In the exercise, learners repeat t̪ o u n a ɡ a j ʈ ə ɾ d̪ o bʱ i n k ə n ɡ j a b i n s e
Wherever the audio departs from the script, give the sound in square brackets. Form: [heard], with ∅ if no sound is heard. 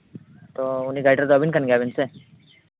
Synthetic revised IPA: t̪ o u n [i] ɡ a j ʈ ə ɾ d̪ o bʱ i n k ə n ɡ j a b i n s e